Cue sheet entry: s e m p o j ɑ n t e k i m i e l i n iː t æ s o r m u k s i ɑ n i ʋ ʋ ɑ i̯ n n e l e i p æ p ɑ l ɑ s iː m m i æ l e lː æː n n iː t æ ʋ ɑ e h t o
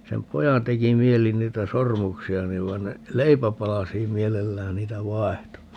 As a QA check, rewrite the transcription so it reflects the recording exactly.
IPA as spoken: s e m p o j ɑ n t e k i m i e l i n iː t æ s o r m u k s i ɑ n i ʋ ʋ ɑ i̯ n n e l e i p æ p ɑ l ɑ s iː m m i e l e lː æː n n iː t æ ʋ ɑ e h t o